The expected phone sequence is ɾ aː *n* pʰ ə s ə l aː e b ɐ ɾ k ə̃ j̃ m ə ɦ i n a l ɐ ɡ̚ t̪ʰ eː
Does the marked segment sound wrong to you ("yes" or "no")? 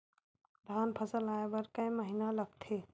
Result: no